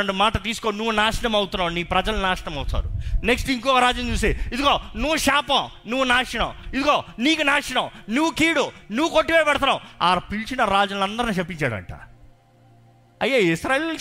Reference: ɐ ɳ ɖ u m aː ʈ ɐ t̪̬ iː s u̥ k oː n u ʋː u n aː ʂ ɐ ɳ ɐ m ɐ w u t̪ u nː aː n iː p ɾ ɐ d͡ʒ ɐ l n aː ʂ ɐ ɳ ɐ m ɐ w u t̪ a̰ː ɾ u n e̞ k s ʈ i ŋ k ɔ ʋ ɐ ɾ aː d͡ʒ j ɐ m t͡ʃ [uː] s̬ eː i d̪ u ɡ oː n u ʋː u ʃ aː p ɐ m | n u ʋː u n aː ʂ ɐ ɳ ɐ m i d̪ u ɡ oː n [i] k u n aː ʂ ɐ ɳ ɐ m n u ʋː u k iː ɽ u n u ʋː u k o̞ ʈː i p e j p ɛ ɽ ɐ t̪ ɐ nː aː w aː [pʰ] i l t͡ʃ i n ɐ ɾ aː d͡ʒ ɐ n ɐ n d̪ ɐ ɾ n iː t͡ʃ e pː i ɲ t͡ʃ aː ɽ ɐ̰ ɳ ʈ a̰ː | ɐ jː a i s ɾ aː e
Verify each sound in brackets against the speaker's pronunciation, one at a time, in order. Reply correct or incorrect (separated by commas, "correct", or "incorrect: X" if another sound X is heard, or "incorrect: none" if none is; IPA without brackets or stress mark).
correct, incorrect: iː, incorrect: p